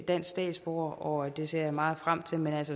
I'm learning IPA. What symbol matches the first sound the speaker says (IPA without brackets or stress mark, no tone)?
d̥